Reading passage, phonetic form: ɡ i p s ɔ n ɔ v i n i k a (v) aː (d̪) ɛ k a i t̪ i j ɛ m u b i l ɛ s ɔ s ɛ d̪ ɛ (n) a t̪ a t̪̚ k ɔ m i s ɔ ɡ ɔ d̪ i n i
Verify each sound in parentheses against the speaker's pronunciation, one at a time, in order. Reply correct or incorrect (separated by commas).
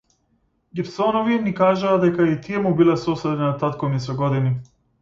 incorrect, correct, correct